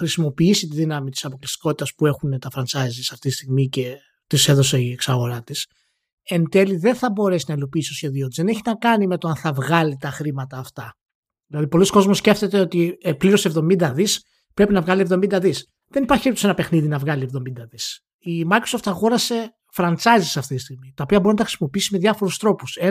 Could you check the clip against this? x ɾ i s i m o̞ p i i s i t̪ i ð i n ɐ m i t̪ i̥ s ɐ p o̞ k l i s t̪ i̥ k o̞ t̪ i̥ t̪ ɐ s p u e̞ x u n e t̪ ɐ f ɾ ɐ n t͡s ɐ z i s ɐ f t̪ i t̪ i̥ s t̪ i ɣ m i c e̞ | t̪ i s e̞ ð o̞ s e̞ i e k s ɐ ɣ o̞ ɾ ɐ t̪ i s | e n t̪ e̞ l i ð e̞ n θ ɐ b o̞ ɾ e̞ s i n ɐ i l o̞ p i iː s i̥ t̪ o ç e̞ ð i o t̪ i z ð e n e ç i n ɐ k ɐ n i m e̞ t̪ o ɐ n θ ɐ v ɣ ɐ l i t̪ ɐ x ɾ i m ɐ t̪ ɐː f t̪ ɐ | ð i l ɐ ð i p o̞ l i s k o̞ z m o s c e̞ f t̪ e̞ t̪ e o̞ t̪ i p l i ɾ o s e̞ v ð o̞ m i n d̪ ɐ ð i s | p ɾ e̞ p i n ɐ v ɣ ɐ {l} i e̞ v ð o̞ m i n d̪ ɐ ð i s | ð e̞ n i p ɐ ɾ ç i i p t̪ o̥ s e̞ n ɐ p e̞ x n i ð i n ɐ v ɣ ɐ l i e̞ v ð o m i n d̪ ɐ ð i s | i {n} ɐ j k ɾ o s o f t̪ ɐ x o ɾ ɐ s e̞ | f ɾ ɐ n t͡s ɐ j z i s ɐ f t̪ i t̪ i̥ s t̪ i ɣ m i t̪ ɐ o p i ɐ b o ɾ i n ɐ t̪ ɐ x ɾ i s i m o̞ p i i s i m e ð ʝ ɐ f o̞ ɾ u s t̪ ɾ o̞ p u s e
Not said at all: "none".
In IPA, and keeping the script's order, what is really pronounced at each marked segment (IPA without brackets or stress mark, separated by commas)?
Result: l, m